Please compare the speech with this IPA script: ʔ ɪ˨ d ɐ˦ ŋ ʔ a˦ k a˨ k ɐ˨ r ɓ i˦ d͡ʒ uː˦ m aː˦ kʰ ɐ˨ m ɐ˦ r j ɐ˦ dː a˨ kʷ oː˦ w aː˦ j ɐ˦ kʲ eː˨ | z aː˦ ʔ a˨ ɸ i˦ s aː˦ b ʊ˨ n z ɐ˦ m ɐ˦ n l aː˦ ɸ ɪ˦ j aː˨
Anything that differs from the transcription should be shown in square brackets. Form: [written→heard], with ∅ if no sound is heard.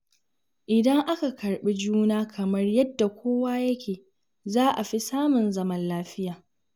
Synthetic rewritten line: ʔ ɪ˨ d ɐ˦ ŋ ʔ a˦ k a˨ k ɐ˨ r ɓ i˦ d͡ʒ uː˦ [m→n] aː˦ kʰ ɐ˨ m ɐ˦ r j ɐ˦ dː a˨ kʷ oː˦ w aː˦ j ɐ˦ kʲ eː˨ | z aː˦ ʔ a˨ ɸ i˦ s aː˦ [b→m] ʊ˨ n z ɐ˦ m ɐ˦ n l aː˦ ɸ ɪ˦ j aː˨